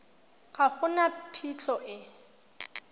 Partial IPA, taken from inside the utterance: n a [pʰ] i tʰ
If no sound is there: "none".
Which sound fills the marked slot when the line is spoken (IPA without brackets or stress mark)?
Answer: pʰ